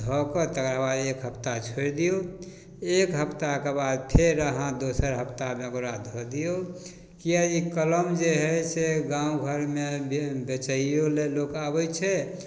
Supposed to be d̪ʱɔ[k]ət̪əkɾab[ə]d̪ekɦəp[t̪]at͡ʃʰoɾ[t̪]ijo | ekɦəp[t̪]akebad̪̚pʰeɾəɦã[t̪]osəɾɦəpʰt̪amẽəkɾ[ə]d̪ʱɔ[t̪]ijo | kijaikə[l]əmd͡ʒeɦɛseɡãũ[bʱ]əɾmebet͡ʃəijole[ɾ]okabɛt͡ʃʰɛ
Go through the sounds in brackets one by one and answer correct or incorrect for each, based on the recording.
correct, incorrect: a, correct, incorrect: d̪, correct, incorrect: d̪, incorrect: a, incorrect: d̪, correct, incorrect: ɡʱ, incorrect: l

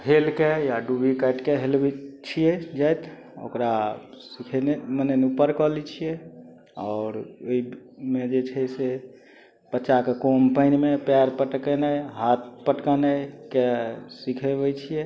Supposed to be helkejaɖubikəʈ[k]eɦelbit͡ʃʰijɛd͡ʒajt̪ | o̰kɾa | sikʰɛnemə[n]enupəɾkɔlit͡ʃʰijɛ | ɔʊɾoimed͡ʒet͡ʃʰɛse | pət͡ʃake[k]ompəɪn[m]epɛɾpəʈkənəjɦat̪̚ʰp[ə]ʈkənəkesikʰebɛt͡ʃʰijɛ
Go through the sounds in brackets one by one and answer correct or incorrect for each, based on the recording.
correct, correct, correct, correct, correct

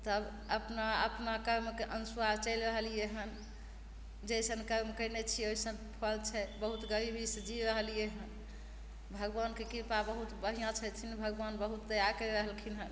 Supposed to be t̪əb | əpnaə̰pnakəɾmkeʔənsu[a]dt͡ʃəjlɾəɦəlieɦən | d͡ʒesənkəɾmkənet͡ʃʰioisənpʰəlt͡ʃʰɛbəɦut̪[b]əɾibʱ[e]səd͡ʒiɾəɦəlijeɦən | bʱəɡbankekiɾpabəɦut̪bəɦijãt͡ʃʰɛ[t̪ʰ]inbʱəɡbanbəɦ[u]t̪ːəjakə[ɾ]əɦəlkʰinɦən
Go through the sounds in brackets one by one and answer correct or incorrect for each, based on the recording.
correct, incorrect: ɡ, incorrect: i, correct, correct, correct

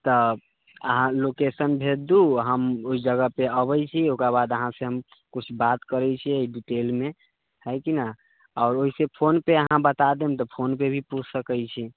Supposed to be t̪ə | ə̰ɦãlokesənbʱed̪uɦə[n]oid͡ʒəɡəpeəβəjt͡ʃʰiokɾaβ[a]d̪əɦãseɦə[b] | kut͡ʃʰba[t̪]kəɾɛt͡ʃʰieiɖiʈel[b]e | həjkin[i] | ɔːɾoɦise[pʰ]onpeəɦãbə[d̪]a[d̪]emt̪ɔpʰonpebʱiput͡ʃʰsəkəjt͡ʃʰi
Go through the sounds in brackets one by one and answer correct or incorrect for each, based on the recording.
incorrect: m, correct, incorrect: m, correct, incorrect: m, incorrect: a, correct, incorrect: t̪, correct

